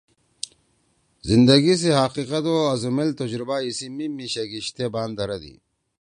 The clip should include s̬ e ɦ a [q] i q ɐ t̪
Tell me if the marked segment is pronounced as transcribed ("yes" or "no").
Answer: yes